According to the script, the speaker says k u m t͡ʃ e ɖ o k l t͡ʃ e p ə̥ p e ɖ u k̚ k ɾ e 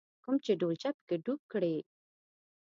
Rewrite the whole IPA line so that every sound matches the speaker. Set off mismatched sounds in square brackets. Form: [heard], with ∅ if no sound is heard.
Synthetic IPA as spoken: k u m t͡ʃ e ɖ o [∅] l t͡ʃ [a] p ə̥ [k] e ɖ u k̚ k [ɽ] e